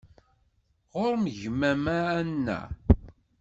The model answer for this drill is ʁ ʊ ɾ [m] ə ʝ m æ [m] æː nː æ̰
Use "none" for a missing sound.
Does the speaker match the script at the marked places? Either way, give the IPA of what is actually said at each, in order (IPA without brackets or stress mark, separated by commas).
m, m